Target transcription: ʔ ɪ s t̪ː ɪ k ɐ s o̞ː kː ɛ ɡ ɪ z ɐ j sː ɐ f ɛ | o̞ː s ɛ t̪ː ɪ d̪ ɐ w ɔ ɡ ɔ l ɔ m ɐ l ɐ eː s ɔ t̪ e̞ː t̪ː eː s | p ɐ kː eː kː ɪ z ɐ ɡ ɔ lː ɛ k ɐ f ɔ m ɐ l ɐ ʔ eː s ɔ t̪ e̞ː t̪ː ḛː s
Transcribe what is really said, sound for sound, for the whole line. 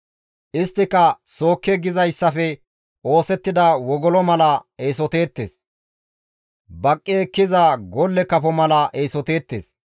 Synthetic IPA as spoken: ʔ ɪ s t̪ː ɪ k ɐ s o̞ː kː ɛ ɡ ɪ z ɐ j sː ɐ f ɛ | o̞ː s ɛ t̪ː ɪ d̪ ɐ w ɔ ɡ ɔ l ɔ m ɐ l ɐ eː s ɔ t̪ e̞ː t̪ː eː s | b ɐ kʼː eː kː ɪ z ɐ ɡ ɔ lː ɛ k ɐ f ɔ m ɐ l ɐ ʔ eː s ɔ t̪ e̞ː t̪ː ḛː s